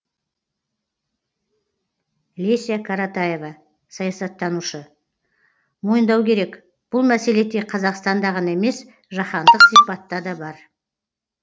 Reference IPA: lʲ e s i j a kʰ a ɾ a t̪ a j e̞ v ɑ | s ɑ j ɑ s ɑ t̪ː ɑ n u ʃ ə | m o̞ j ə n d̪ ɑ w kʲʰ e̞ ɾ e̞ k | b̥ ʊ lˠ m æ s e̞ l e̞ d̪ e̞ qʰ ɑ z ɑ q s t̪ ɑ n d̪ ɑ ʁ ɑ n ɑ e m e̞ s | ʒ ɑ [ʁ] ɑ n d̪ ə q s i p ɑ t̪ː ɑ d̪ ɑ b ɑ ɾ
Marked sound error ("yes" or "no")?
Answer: yes